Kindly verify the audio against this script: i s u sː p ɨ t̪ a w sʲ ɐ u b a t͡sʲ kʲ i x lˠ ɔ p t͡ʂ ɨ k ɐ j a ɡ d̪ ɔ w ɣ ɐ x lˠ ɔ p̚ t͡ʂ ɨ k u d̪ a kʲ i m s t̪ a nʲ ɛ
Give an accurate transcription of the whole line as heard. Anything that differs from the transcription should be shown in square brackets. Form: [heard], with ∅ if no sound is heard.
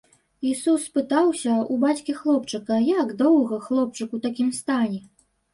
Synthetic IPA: i s u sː p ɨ t̪ a w sʲ ɐ u b a t͡sʲ kʲ i x lˠ ɔ p t͡ʂ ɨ k ɐ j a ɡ d̪ ɔ w ɣ ɐ x lˠ ɔ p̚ t͡ʂ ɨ k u [t̪] a kʲ i m s t̪ a nʲ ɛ